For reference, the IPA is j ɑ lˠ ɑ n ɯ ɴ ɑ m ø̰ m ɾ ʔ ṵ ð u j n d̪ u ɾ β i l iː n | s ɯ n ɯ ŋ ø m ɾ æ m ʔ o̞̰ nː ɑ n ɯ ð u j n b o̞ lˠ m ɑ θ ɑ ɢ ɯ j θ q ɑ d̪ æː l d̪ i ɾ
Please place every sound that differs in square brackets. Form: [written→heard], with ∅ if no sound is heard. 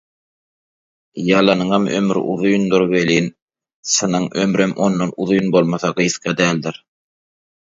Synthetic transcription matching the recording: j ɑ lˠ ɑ n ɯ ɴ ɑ m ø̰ m ɾ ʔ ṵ ð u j n d̪ u ɾ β [i→e] l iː n | s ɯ n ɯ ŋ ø m ɾ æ m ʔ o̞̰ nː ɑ n [ɯ→u] ð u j n b o̞ lˠ m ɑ θ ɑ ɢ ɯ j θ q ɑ d̪ æː l d̪ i ɾ